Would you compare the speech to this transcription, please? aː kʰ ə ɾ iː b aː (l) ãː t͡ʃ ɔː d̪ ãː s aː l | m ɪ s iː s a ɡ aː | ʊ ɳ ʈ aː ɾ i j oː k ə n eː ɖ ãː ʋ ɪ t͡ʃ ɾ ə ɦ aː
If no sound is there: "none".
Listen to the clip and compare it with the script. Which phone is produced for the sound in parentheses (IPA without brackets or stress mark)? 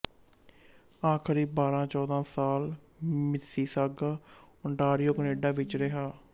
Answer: ɾ